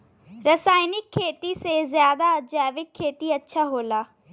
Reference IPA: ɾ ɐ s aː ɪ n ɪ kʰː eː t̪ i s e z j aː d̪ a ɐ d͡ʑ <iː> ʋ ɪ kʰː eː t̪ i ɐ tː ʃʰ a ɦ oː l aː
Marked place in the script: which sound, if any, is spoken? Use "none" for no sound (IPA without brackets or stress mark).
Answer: aː